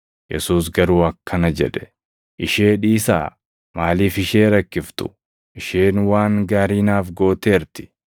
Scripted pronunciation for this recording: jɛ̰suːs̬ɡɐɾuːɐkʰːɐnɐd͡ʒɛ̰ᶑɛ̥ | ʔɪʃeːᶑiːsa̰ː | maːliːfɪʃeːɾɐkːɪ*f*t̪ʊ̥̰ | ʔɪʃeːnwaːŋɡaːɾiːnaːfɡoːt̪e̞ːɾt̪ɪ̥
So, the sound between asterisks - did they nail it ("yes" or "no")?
yes